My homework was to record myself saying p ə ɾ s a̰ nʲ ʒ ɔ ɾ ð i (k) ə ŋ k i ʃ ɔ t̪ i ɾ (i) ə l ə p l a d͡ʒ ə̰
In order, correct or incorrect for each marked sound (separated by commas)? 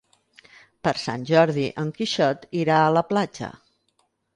incorrect, incorrect